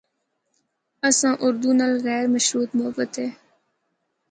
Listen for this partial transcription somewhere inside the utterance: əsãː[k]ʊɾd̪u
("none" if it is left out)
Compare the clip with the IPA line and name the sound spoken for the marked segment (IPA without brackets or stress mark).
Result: ʔ